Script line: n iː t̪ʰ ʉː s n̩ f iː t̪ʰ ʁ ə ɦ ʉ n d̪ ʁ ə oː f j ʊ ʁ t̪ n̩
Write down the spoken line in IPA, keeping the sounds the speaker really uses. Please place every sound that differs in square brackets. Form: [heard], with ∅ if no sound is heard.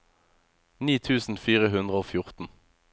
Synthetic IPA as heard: n iː t̪ʰ ʉː s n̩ f iː [∅] ʁ ə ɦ ʉ n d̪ ʁ ə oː f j ʊ ʁ t̪ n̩